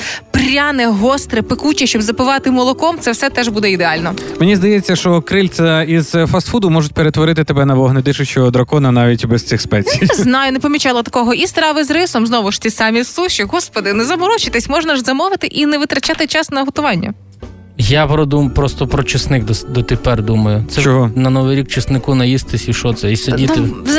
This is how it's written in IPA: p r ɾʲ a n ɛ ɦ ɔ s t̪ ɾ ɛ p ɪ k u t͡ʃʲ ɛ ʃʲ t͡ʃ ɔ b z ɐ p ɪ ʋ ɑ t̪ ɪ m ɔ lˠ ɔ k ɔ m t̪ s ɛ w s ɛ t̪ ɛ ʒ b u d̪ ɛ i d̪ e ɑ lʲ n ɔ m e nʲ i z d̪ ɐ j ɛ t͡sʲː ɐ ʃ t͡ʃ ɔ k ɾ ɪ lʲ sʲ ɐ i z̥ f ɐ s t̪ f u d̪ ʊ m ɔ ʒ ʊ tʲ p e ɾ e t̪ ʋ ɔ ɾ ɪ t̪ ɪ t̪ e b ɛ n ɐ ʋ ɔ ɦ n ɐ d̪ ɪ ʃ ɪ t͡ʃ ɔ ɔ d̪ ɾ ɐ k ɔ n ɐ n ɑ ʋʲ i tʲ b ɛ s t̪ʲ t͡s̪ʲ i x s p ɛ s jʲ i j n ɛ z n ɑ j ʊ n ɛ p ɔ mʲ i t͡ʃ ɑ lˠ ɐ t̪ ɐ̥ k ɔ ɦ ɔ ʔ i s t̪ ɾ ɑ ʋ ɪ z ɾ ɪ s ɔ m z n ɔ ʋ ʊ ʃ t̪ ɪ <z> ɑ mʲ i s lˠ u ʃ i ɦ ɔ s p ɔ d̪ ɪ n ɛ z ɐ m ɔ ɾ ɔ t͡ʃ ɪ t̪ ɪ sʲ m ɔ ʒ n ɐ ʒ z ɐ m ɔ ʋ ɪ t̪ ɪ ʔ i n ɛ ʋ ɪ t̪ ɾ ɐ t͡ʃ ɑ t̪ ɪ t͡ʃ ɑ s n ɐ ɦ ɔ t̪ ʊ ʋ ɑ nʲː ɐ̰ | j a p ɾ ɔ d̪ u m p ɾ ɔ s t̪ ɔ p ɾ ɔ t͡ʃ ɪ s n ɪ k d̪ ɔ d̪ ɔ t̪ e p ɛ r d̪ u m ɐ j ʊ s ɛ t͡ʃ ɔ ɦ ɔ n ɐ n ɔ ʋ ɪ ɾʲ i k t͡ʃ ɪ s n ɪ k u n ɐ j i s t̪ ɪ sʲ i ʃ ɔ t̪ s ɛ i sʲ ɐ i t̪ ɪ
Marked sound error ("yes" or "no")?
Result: yes